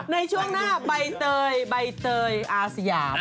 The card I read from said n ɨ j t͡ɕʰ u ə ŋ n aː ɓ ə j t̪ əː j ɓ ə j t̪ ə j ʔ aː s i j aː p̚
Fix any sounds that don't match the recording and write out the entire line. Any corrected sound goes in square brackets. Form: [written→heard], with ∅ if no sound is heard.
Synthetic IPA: n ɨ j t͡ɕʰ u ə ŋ n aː ɓ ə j t̪ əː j ɓ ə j t̪ [ə→əː] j ʔ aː s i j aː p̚